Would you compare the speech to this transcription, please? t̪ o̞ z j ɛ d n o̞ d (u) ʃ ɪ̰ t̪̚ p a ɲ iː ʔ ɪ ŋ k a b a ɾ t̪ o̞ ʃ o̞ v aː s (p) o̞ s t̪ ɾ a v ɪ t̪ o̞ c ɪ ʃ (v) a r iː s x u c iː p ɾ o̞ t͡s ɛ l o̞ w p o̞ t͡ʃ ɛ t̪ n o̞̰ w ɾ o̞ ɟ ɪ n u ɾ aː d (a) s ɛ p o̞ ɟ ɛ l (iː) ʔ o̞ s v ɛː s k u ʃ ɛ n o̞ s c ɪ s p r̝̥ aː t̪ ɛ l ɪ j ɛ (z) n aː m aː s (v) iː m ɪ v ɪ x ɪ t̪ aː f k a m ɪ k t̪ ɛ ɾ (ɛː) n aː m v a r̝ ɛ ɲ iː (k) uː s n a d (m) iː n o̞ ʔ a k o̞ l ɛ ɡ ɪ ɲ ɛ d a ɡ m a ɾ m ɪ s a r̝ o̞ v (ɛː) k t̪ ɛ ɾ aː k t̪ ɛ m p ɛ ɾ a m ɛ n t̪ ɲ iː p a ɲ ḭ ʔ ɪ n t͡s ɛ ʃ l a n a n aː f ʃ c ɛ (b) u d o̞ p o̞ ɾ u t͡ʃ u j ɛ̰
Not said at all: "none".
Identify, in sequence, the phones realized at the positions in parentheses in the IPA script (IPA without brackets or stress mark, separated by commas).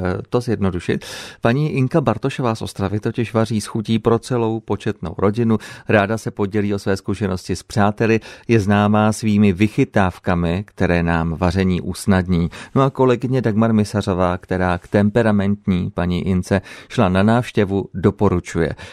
u, ʔ, v, a, iː, z, v, ɛː, ʔ, ɲ, aː, v